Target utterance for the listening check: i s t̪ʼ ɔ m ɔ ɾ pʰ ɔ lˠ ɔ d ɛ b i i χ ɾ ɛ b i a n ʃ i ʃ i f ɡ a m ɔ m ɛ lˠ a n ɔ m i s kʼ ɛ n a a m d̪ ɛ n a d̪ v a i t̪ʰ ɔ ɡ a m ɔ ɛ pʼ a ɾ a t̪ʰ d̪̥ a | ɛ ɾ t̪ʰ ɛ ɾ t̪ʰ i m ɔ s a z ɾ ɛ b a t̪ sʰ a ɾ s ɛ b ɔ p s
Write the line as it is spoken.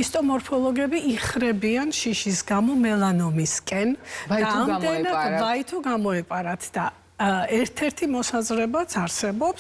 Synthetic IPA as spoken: i s t̪ʼ ɔ m ɔ ɾ pʰ ɔ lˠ ɔ ɡ ɛ b i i χ ɾ ɛ b i a n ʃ i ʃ i s ɡ a m ɔ m ɛ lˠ a n ɔ m i s kʼ ɛ n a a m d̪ ɛ n a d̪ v a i t̪ʰ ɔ ɡ a m ɔ ɛ pʼ a ɾ a t̪ʰ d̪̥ a | ɛ ɾ t̪ʰ ɛ ɾ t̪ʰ i m ɔ s a z ɾ ɛ b a t̪ sʰ a ɾ s ɛ b ɔ p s

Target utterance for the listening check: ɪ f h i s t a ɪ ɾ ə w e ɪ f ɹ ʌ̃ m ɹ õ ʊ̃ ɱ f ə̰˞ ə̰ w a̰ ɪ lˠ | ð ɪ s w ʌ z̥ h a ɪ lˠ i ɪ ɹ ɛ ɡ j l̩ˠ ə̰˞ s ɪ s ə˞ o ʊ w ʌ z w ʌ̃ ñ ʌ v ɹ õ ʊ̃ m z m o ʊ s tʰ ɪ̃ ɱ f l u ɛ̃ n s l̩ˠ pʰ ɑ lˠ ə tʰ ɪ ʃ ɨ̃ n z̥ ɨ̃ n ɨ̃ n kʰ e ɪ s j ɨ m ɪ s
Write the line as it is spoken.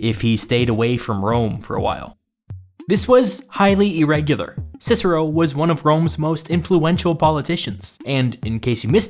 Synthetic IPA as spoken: ɪ f h i s t e ɪ ɾ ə w e ɪ f ɹ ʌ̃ m ɹ õ ʊ̃ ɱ f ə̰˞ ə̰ w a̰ ɪ lˠ | ð ɪ s w ʌ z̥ h a ɪ lˠ i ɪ ɹ ɛ ɡ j l̩ˠ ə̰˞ s ɪ s ə˞ o ʊ w ʌ z w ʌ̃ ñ ʌ v ɹ õ ʊ̃ m z m o ʊ s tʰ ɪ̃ ɱ f l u ɛ̃ n ʃ l̩ˠ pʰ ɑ lˠ ə tʰ ɪ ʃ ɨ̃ n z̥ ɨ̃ n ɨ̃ n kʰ e ɪ s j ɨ m ɪ s

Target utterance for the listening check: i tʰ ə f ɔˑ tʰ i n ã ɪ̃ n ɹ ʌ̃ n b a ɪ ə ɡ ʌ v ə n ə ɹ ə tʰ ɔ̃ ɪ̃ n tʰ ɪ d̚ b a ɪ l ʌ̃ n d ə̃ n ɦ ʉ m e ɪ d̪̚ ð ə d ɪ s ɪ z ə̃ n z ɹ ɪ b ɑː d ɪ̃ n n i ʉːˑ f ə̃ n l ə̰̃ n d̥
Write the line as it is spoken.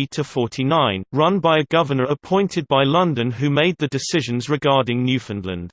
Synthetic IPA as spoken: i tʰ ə f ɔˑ tʰ i n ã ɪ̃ n ɹ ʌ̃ n b a ɪ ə ɡ ʌ v ə n ə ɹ ə pʰ ɔ̃ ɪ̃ n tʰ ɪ d̚ b a ɪ l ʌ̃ n d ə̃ n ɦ ʉ m e ɪ d̪̚ ð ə d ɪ s ɪ ʒ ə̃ n z ɹ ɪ ɡ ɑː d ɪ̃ ŋ n j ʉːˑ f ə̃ n l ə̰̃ n d̥

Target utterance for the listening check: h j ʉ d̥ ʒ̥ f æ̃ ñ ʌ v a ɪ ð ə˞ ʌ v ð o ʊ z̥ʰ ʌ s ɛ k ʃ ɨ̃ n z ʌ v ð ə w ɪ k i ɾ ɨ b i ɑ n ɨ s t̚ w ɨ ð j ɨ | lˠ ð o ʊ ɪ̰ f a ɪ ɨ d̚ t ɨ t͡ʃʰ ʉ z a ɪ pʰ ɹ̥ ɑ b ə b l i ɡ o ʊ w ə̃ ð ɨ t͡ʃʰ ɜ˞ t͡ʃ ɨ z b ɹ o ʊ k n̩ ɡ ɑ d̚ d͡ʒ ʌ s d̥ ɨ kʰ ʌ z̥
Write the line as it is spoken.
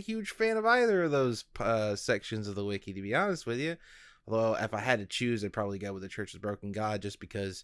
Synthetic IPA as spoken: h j ʉ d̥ ʒ̥ f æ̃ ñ ʌ v a ɪ ð ə˞ ʌ v ð o ʊ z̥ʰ ʌ s ɛ k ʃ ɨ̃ n z ʌ v ð ə w ɪ k i ɾ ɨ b i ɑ n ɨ s t̚ w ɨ ð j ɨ | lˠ ð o ʊ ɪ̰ f a ɪ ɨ d̚ t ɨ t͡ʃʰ ʉ z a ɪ pʰ ɹ̥ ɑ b ə b l i ɡ o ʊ w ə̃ ð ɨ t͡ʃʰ ɜ˞ t͡ʃ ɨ z b ɹ o ʊ k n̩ ɡ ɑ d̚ d͡ʒ ʌ s b̥ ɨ kʰ ʌ z̥

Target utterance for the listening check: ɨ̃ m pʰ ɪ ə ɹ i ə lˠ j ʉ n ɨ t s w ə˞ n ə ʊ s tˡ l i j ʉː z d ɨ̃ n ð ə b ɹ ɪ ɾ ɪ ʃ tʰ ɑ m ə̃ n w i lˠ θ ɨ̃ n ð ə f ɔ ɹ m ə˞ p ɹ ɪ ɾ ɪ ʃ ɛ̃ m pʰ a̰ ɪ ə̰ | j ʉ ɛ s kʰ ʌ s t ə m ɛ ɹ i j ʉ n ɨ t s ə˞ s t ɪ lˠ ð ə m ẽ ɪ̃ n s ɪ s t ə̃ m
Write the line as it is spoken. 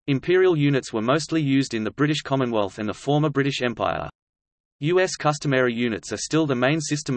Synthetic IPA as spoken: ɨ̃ m pʰ ɪ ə ɹ i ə lˠ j ʉ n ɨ t s w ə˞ m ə ʊ s tˡ l i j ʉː z d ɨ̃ n ð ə b ɹ ɪ ɾ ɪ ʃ kʰ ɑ m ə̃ n w ɛ lˠ θ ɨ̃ n ð ə f ɔ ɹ m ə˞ b ɹ ɪ ɾ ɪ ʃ ɛ̃ m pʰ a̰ ɪ ə̰ | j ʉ ɛ s kʰ ʌ s t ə m ɛ ɹ i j ʉ n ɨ t s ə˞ s t ɪ lˠ ð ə m ẽ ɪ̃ n s ɪ s t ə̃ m

